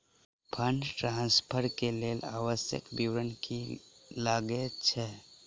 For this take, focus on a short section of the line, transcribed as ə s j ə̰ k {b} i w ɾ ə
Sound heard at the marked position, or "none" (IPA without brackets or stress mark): b